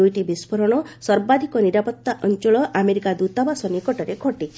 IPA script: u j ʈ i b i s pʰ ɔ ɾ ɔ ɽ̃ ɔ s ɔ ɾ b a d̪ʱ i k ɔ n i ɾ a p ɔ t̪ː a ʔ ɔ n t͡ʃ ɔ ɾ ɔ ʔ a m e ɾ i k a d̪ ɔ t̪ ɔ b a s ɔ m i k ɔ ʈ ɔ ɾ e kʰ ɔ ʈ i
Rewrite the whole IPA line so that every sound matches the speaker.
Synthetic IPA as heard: u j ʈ i b i s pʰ ɔ ɾ ɔ ɽ̃ ɔ s ɔ ɾ b a d̪ʱ i k ɔ n i ɾ a p ɔ t̪ː a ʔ ɔ n t͡ʃ ɔ ɭ ɔ ʔ a m e ɾ i k a d̪ u t̪ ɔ b a s ɔ n i k ɔ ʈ ɔ ɾ e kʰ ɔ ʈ i